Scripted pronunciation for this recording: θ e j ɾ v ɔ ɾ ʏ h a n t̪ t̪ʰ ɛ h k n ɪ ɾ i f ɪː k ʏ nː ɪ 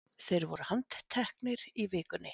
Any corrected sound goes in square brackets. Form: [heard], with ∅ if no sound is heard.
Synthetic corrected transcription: θ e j ɾ v ɔ ɾ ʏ h a n t̪ t̪ʰ ɛ h k n ɪ ɾ i [v] ɪː k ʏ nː ɪ

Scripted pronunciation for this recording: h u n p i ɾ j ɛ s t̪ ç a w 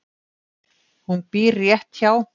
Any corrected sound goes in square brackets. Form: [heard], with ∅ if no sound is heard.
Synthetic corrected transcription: h u n p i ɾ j ɛ [h] t̪ ç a w

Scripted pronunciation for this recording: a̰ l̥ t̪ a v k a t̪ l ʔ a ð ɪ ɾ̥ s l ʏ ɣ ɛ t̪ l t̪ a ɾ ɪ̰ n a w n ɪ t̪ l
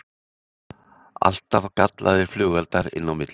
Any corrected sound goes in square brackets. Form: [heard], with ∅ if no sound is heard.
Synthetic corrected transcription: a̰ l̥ t̪ a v k a t̪ l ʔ a ð ɪ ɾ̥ [f] l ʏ ɣ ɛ [∅] l t̪ a ɾ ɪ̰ [nː] a w [m] ɪ t̪ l

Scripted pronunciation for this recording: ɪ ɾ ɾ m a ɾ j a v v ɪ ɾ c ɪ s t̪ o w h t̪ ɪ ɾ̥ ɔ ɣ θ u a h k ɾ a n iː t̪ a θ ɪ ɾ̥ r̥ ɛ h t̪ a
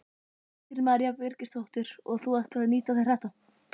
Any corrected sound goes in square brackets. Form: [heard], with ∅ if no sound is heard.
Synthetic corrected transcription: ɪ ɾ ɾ m a ɾ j a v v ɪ ɾ c ɪ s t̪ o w h t̪ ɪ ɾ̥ ɔ ɣ θ u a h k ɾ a n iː t̪ a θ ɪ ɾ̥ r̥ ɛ h t̪ a

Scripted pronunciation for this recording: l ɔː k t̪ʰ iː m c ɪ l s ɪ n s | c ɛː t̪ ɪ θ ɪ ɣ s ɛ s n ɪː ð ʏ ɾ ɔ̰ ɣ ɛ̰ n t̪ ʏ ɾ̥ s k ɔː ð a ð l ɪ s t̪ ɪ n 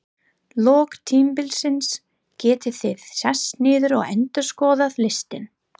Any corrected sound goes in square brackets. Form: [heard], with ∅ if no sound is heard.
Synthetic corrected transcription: l ɔː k t̪ʰ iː m [p] ɪ l s ɪ n s | c ɛː t̪ ɪ θ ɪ [ð] s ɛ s n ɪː ð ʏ ɾ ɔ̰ ɣ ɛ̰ n t̪ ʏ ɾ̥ s k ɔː ð a ð l ɪ s t̪ ɪ n

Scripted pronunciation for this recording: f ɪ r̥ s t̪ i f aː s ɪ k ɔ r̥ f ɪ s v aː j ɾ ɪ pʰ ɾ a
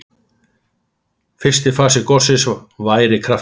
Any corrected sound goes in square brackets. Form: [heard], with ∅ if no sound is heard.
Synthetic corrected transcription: f ɪ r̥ s t̪ [ɪ] f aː s ɪ k ɔ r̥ [s] ɪ s v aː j ɾ ɪ [kʰ] ɾ a

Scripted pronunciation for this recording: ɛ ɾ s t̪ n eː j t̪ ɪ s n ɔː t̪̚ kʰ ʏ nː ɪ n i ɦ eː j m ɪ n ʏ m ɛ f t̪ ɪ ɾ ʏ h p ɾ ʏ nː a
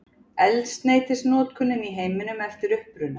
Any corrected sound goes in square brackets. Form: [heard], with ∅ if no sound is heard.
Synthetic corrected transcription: ɛ [l] s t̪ n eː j t̪ ɪ s n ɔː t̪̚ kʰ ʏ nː ɪ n i ɦ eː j m ɪ n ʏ m ɛ f t̪ ɪ ɾ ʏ h p ɾ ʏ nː a

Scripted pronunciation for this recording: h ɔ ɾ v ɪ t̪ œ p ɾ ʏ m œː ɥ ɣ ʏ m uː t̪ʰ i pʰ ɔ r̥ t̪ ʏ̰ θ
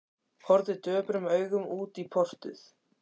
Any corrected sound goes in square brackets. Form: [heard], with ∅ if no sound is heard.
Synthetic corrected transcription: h ɔ ɾ [ð] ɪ t̪ [œː] p ɾ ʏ m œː ɥ ɣ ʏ m uː [t̪] i pʰ ɔ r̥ t̪ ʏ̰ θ

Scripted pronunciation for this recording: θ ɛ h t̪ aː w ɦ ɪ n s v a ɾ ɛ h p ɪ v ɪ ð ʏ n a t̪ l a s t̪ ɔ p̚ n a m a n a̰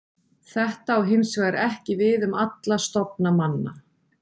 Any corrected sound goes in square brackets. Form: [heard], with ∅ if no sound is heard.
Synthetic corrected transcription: θ ɛ h t̪ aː w ɦ ɪ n s v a ɾ ɛ h [c] ɪ v ɪ ð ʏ [m] a t̪ l a s t̪ ɔ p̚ n a m a [nː] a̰

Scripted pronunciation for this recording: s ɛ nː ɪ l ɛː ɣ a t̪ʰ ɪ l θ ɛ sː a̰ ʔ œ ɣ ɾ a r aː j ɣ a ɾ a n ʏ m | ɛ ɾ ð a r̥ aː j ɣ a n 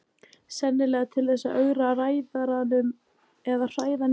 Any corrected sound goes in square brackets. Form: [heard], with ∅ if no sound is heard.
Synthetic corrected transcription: s ɛ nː ɪ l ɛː ɣ a t̪ʰ ɪ l θ ɛ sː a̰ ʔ œ ɣ ɾ a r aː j [ð] a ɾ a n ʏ m | ɛ [∅] ð a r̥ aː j [ð] a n

